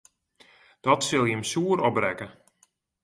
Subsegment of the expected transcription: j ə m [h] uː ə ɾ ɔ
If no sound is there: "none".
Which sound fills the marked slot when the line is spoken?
s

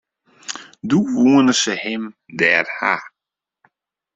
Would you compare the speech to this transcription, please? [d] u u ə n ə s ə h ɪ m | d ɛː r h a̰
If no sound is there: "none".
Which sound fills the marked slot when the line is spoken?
d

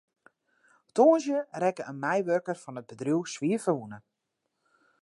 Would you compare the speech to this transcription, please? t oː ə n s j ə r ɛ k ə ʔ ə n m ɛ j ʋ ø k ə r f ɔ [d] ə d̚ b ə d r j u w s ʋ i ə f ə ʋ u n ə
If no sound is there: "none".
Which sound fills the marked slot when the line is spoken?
n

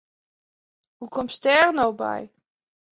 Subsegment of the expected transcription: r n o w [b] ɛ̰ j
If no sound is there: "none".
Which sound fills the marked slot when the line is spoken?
b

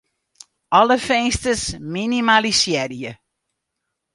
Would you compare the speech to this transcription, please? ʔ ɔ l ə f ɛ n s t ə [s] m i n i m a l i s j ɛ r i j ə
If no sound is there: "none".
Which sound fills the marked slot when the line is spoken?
s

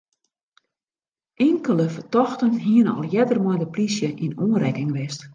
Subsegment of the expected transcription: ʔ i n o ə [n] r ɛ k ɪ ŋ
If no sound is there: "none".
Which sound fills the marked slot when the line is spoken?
n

